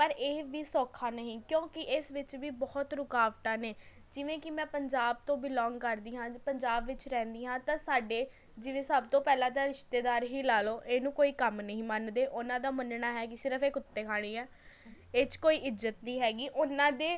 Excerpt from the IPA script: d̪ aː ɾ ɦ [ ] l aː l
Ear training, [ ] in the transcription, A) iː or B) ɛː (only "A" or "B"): A